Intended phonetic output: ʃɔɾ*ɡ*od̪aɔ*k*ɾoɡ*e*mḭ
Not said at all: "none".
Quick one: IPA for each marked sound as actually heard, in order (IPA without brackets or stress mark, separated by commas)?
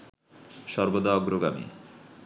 b, ɡ, a